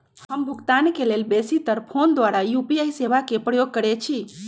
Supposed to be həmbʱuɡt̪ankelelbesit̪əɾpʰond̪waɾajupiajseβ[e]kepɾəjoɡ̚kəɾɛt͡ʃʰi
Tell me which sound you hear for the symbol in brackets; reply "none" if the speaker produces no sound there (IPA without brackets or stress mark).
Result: a